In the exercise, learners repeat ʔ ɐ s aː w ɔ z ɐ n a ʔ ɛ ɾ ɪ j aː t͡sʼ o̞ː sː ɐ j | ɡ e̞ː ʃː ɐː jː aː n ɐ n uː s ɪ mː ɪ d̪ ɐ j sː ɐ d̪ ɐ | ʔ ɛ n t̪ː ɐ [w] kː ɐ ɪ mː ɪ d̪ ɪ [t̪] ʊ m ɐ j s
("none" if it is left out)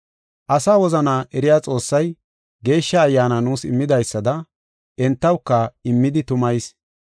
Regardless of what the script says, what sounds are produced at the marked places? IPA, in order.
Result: w, t̪

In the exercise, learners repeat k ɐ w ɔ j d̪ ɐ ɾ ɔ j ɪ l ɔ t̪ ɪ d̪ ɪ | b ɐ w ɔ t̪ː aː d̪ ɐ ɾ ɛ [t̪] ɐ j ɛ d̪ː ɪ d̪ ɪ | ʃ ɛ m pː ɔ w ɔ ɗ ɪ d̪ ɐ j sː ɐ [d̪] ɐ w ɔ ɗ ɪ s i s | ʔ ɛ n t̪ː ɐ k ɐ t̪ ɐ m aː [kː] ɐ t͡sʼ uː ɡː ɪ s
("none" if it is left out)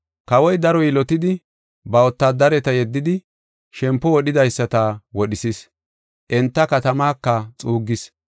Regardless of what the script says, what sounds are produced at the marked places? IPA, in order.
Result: t̪, t̪, kː

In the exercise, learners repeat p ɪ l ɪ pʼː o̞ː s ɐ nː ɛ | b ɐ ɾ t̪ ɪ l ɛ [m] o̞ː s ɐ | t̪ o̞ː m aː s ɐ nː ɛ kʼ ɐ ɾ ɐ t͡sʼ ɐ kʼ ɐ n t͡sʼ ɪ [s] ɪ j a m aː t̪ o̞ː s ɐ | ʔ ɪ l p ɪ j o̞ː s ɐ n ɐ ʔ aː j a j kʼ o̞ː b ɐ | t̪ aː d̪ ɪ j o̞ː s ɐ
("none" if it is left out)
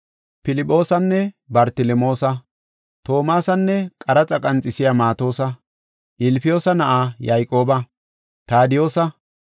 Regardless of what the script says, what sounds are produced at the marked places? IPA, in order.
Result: m, s

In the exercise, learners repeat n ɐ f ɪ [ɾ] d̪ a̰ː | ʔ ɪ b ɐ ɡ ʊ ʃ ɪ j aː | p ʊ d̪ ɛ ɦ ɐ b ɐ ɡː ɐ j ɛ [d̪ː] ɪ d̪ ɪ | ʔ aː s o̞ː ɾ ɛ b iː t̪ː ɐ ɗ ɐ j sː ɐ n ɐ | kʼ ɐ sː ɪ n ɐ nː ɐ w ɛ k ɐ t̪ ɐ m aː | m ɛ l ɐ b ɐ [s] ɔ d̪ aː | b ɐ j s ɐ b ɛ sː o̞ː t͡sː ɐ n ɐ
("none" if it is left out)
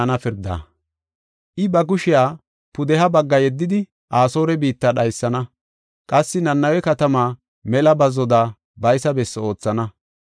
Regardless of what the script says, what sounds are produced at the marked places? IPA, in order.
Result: ɾ, d̪ː, z

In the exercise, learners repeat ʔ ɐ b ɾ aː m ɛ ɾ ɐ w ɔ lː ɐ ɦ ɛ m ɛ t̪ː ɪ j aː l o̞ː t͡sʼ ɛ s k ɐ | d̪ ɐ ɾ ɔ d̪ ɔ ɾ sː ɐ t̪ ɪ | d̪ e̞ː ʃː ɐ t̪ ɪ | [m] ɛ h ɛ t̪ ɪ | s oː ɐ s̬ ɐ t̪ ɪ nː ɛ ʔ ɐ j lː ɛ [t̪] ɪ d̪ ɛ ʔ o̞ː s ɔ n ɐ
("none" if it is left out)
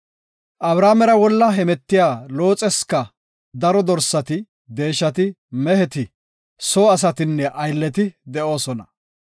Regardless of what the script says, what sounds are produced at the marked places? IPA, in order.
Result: m, t̪

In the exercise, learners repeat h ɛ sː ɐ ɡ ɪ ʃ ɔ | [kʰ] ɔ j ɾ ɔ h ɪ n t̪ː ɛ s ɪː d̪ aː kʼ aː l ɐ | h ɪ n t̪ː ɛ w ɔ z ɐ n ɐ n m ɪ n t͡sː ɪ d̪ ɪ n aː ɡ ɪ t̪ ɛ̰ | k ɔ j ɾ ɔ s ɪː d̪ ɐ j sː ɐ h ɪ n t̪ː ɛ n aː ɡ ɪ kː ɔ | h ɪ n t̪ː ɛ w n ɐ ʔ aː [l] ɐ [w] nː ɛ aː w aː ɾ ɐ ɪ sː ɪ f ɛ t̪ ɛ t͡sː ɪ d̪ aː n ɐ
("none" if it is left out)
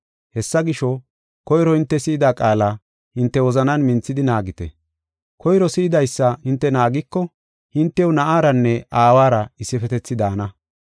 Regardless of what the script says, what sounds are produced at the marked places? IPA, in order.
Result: k, ɾ, none

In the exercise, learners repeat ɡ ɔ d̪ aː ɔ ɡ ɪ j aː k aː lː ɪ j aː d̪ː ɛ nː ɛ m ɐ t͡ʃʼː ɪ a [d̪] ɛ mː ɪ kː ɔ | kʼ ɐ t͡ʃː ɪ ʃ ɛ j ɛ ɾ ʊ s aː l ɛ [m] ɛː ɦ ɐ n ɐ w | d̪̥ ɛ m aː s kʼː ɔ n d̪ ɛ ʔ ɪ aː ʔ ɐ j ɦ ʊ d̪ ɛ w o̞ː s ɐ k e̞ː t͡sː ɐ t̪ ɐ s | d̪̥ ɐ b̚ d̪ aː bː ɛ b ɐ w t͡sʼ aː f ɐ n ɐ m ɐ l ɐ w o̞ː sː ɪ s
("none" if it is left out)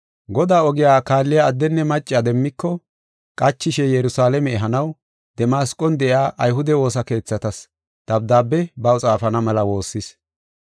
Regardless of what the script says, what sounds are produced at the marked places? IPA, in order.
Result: d̪, m

